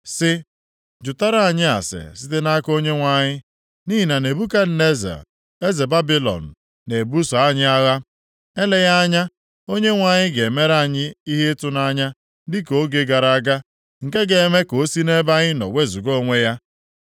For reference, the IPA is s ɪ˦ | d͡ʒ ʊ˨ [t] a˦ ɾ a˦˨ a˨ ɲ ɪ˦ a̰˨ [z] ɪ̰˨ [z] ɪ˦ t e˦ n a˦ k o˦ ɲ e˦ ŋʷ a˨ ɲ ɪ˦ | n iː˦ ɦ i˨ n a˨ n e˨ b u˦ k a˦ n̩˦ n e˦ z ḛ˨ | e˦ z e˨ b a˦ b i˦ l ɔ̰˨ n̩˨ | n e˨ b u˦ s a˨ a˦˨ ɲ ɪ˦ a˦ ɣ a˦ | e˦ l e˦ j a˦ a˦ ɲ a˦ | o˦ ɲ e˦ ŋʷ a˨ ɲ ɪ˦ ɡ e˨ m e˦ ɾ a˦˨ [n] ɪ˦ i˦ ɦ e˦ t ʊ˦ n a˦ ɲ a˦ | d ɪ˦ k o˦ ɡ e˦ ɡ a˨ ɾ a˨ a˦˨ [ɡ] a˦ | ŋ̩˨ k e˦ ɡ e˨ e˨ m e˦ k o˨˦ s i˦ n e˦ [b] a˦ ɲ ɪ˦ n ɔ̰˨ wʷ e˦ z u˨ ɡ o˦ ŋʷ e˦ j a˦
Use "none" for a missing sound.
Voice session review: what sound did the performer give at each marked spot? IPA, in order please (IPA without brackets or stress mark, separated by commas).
t, s, s, ɲ, ɡ, b